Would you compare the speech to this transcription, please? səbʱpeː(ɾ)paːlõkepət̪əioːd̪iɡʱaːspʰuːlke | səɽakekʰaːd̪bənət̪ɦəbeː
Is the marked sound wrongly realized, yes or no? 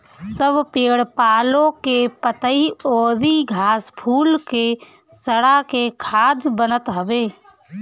yes